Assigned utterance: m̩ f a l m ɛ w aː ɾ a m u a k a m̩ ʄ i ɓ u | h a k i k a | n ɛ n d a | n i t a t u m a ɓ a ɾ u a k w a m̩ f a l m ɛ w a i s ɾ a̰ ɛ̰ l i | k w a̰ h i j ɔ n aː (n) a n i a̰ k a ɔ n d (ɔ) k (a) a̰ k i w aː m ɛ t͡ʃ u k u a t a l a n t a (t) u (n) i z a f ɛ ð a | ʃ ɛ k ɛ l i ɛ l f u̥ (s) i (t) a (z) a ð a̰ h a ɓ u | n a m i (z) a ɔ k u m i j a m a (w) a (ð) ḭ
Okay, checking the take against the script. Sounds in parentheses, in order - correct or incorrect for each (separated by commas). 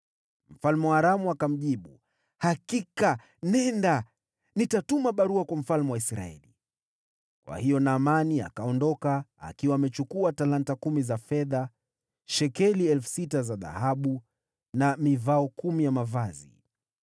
incorrect, correct, correct, incorrect, incorrect, correct, correct, correct, incorrect, incorrect, incorrect